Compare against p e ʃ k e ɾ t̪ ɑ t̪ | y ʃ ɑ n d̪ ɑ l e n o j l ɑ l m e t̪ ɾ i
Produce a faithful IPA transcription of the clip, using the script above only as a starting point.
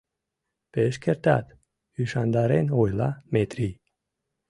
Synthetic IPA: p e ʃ k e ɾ t̪ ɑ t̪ | y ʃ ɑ n d̪ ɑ ɾ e n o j l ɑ m e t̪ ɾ i